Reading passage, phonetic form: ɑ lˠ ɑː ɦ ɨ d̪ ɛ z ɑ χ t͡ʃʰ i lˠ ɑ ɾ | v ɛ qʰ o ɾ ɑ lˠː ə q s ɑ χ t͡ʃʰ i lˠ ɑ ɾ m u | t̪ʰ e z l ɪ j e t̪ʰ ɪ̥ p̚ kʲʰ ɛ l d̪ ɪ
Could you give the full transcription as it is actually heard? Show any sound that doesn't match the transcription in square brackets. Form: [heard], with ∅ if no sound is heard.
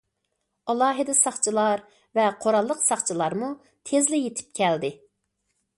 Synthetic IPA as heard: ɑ lˠ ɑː ɦ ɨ d̪ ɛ [s] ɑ χ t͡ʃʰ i lˠ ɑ ɾ | v ɛ qʰ o ɾ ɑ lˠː ə q s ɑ χ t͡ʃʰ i lˠ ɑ ɾ m u | t̪ʰ e z l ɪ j e t̪ʰ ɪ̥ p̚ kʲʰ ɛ l d̪ ɪ